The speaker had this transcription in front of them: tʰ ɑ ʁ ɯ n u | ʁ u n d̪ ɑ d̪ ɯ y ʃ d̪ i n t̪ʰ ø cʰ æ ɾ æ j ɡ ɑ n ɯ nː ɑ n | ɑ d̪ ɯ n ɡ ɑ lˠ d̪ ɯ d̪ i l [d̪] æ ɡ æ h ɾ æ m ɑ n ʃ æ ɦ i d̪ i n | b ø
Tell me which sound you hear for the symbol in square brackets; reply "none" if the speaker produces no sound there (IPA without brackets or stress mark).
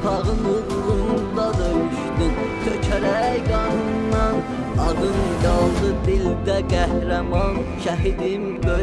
d̪